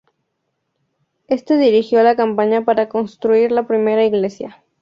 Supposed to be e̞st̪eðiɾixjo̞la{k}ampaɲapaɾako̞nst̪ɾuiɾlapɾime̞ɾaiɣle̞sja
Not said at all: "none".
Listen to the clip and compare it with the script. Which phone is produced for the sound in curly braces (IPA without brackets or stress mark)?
k